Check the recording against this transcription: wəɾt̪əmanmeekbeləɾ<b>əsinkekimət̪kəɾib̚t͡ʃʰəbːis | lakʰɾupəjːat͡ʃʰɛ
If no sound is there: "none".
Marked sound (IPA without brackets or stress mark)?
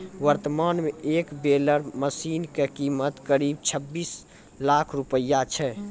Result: m